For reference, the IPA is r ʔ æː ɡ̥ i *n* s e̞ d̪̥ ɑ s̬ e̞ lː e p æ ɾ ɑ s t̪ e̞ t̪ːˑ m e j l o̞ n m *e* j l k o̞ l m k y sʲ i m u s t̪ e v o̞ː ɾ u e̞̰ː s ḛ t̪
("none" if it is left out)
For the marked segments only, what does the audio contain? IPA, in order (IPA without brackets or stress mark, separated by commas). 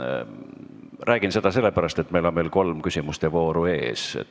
n, e